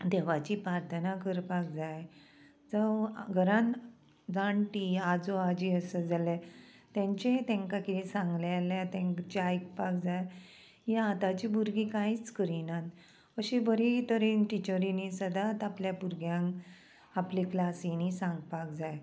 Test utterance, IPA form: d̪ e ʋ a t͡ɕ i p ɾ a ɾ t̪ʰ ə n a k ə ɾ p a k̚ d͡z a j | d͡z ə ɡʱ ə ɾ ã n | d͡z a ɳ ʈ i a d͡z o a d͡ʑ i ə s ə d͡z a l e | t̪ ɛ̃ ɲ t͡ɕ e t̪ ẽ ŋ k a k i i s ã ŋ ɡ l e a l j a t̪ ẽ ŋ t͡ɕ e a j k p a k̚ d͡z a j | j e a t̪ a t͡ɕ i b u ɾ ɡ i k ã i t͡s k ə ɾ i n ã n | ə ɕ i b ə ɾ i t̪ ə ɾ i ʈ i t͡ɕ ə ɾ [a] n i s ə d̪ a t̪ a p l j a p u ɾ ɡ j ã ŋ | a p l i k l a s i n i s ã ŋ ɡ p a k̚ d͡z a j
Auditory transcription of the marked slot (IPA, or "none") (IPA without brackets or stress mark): i